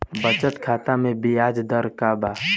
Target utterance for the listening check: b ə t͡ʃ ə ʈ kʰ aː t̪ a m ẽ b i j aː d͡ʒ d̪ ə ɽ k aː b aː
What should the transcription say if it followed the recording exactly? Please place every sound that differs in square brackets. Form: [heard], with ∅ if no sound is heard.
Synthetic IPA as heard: b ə t͡ʃ ə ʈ kʰ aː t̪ a m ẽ b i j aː d͡ʒ d̪ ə [ɾ] k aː b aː